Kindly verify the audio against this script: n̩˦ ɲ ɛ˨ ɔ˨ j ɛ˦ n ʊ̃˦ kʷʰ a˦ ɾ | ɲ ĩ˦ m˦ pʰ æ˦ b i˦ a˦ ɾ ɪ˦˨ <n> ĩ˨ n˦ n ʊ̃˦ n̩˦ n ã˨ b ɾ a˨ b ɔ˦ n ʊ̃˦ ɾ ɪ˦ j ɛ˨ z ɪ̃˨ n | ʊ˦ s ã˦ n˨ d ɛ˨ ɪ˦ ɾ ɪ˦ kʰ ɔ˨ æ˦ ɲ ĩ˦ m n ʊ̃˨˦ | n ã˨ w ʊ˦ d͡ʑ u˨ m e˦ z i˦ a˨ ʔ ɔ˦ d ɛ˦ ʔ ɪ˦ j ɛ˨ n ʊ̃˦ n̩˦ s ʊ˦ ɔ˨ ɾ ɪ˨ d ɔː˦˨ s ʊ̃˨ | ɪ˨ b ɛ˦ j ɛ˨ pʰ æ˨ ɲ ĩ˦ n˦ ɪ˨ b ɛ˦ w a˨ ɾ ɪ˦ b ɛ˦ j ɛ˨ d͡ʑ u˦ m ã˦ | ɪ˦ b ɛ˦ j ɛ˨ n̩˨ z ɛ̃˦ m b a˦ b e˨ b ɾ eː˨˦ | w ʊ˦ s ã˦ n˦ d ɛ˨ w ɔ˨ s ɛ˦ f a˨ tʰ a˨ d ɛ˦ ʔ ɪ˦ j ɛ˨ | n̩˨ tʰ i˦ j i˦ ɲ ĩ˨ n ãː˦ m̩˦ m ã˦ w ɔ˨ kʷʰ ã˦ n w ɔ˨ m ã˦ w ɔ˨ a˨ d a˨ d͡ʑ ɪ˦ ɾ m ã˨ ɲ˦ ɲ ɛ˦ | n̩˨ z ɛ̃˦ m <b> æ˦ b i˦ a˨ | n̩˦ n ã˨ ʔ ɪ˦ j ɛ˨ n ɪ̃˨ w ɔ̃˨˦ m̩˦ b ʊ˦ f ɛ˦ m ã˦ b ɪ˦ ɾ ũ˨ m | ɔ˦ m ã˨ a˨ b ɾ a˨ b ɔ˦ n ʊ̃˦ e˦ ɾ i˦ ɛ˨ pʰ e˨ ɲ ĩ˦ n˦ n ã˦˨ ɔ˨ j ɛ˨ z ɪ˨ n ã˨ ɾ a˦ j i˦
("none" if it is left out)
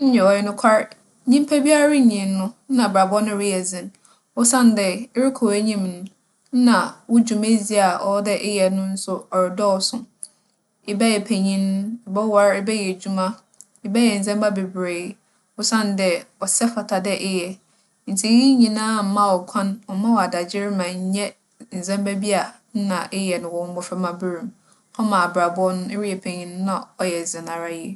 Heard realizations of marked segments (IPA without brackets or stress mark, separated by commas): ɲ, b